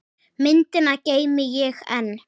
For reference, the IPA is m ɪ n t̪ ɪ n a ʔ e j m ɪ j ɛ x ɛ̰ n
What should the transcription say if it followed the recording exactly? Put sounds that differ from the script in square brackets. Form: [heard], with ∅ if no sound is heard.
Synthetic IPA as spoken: m ɪ n t̪ ɪ n a [c] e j m ɪ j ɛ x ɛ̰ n